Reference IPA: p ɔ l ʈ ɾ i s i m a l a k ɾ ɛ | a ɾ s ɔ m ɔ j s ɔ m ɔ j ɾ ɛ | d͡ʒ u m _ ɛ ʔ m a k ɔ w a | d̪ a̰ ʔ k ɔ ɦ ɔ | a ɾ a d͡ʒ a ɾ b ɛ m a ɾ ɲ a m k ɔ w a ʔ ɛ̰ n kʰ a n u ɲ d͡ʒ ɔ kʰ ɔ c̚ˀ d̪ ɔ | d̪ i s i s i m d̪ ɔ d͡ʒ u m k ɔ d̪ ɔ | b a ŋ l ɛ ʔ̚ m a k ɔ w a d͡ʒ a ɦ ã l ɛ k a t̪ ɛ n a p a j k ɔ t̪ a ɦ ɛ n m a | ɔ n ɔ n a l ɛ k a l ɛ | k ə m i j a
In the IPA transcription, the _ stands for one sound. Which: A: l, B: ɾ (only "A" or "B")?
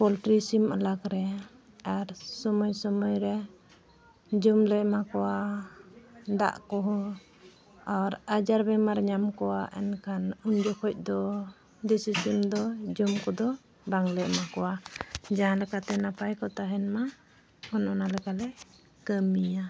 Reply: A